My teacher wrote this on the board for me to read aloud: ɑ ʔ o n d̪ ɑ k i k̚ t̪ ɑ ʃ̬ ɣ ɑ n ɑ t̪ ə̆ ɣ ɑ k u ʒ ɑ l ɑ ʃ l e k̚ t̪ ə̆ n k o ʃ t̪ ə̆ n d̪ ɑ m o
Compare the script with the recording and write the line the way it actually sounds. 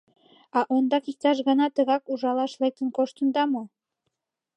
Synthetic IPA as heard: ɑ ʔ o n d̪ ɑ k i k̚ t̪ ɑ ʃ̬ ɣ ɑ n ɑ t̪ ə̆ ɣ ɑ k u ʒ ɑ l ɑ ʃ l e k̚ t̪ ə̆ n k o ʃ t̪ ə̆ n d̪ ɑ m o